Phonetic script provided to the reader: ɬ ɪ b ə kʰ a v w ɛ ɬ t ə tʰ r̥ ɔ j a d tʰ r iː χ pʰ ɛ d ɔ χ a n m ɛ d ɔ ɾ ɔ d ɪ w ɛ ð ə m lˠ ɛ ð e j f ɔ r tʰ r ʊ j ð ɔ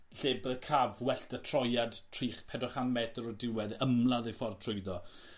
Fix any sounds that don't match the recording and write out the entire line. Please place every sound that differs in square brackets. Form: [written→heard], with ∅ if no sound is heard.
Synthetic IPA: ɬ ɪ b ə kʰ a v w ɛ ɬ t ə tʰ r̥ ɔ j a d tʰ r iː χ pʰ ɛ d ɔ χ a n m ɛ d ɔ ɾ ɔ d ɪ w ɛ ð ə m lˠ [ɛ→a] ð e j f ɔ r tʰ r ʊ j ð ɔ